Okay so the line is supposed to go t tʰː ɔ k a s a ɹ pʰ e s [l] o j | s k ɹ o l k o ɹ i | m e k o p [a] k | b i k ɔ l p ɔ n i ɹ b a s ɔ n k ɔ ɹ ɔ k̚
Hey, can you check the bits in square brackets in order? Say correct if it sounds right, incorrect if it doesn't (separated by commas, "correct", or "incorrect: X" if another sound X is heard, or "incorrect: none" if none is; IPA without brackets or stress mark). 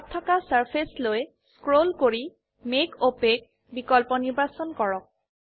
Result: correct, incorrect: e